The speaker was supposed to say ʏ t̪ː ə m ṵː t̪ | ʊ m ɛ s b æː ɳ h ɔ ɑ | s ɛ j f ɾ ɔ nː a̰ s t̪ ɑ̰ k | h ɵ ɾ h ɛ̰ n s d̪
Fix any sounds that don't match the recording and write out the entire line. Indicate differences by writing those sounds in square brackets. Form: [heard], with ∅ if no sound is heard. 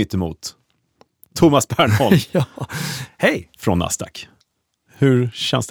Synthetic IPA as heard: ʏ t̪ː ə m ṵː [t̪ʰ] | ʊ m [a] s b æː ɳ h ɔ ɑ | [h] ɛ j f ɾ ɔ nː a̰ s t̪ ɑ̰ k | h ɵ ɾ [ɕ] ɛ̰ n s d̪